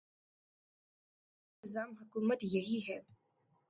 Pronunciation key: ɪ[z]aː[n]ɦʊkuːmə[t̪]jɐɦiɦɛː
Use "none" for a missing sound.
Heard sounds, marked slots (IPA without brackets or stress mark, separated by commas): z, m, t̪